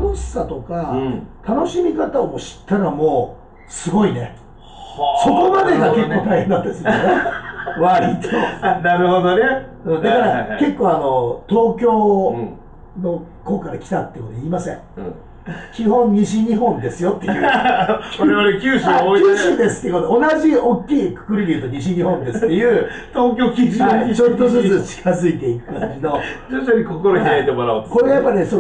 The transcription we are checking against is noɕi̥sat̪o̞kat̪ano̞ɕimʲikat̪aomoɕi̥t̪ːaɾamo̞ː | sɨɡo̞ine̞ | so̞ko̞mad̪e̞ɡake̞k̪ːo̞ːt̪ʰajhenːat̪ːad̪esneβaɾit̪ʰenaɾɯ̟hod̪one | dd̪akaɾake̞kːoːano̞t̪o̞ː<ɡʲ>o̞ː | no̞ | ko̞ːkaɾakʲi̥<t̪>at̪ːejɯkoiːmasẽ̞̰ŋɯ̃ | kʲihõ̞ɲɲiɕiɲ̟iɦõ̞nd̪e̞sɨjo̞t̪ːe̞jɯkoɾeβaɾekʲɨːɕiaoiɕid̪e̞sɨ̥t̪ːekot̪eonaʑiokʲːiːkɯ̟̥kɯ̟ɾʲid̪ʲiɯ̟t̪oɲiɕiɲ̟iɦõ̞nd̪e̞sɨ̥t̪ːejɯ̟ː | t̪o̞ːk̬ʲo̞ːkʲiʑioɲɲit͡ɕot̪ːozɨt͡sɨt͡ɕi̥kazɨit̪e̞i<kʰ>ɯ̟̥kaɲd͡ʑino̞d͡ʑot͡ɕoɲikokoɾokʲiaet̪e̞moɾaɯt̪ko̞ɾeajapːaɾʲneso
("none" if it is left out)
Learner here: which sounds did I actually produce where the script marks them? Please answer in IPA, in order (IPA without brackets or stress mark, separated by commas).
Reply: kʲ, t̪, k